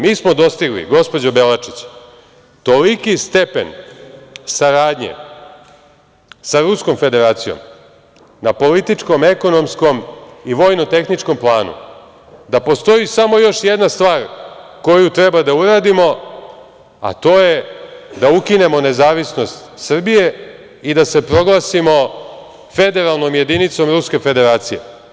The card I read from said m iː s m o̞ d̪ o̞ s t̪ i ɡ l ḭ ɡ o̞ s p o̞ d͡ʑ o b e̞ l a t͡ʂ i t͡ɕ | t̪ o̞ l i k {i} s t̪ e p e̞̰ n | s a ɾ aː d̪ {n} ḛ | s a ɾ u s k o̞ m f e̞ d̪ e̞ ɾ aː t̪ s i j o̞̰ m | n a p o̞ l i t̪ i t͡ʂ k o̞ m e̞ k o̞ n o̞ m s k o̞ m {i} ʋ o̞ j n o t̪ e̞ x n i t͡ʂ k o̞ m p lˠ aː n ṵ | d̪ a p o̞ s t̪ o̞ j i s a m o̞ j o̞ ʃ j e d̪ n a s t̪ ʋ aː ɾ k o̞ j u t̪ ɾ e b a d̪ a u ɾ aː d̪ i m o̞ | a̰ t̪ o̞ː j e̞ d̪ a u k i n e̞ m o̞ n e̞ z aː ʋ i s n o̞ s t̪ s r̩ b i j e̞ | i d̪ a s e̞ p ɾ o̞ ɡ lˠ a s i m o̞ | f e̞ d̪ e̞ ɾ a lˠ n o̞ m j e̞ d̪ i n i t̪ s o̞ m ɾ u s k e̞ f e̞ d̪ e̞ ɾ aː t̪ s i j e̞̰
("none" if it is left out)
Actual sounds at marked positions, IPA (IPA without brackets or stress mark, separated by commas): i, ɲ, i